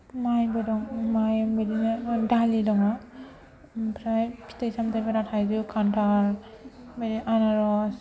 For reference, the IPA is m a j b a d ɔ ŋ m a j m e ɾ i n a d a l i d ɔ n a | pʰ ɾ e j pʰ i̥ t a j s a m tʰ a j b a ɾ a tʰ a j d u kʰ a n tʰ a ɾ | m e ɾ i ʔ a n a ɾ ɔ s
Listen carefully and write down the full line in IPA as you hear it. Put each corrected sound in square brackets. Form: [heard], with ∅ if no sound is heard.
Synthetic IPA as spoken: m a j b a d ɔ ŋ m a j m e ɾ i n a d a l i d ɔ [ŋ] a | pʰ ɾ [a] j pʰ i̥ t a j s a m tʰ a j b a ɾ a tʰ a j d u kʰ a n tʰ a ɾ | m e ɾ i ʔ a n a ɾ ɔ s